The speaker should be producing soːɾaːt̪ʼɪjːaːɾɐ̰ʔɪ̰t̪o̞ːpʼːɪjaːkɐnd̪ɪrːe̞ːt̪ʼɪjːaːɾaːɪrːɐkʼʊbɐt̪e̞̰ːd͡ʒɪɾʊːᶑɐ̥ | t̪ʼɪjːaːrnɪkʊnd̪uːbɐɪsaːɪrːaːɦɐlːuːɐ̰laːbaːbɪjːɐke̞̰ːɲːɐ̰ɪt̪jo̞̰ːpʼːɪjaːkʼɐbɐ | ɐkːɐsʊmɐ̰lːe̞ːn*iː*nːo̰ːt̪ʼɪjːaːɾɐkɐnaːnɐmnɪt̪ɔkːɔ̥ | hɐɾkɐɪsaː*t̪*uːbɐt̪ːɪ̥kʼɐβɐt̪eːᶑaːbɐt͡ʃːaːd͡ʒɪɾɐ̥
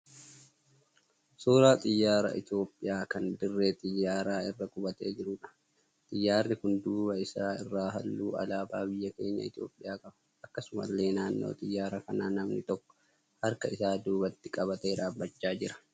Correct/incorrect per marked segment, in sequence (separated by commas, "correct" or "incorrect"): incorrect, incorrect